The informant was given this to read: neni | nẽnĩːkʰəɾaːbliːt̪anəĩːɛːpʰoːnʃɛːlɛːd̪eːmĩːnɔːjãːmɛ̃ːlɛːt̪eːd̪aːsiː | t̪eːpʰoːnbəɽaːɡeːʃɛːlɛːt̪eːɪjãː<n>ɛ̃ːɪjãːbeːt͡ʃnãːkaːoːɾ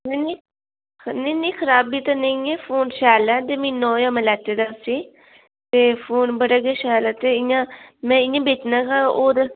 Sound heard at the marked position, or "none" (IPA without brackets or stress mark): m